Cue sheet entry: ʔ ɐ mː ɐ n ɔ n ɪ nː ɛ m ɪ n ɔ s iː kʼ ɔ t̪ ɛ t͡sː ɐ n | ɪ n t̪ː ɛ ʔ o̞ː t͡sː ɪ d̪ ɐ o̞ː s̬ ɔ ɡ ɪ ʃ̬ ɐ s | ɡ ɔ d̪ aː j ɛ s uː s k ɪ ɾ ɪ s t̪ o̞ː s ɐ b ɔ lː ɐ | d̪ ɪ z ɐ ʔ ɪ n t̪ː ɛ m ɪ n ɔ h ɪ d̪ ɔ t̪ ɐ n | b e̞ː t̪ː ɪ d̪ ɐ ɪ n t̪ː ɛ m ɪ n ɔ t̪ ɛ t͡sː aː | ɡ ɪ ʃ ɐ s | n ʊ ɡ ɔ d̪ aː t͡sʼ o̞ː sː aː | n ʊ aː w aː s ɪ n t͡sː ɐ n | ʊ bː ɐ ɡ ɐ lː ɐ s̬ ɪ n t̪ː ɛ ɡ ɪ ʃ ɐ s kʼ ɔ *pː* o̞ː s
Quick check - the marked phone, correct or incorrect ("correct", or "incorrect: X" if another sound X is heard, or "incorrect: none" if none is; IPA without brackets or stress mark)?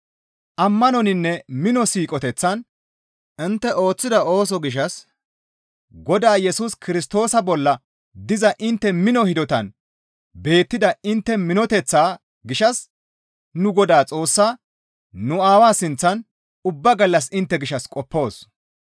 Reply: correct